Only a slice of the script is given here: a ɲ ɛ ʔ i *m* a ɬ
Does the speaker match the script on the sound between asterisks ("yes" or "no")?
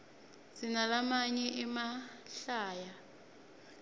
yes